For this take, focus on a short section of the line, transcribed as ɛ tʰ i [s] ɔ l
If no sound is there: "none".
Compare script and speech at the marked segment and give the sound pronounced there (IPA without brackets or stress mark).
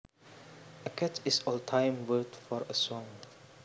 s